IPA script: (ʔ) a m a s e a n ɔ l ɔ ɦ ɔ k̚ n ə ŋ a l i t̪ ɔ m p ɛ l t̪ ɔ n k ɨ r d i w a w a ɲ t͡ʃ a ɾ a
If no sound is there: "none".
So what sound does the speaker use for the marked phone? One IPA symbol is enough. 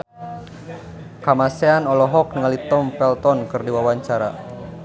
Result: k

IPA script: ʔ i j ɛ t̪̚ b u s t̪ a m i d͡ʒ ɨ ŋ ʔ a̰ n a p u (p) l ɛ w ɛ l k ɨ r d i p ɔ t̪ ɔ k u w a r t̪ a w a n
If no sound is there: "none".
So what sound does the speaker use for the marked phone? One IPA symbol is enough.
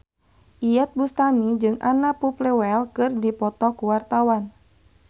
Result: p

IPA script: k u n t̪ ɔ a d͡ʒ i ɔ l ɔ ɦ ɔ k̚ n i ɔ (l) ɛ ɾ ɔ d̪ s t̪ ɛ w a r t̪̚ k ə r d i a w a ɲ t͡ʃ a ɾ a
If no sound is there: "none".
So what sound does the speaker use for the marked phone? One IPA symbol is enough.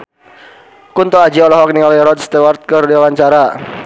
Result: l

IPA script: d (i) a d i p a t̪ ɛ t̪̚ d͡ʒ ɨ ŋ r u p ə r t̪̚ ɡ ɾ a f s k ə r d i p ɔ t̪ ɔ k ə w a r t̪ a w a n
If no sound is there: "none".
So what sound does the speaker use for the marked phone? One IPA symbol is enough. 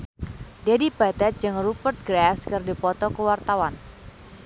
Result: i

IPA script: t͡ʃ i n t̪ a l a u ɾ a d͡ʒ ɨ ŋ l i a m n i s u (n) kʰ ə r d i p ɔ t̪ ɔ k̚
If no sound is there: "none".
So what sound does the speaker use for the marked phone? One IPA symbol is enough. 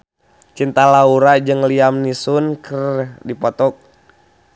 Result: n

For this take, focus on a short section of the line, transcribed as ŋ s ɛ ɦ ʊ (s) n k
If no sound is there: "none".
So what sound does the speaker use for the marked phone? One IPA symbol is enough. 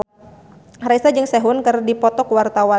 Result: none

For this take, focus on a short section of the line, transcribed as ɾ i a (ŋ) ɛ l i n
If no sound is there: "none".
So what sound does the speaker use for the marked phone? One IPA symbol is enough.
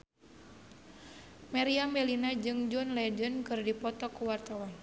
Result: m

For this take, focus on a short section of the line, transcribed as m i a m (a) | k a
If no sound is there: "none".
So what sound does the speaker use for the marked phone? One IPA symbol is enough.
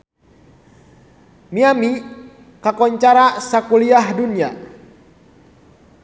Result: i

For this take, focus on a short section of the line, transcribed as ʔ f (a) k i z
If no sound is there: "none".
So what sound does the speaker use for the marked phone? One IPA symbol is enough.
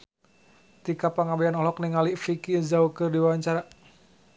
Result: i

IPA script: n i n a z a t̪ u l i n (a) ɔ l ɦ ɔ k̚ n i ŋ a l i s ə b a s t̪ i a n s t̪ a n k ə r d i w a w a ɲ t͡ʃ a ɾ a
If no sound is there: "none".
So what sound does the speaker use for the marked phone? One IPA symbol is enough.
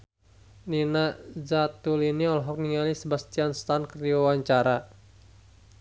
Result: i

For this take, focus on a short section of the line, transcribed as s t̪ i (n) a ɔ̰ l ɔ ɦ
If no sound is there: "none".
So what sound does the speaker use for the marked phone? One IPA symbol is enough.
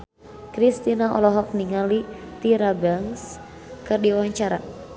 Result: n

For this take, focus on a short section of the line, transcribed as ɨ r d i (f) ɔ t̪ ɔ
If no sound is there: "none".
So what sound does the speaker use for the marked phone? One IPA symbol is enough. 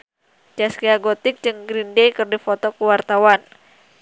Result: f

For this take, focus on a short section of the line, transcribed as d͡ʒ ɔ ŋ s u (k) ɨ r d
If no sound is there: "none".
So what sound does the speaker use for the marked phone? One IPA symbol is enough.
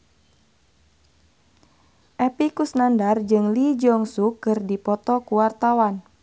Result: k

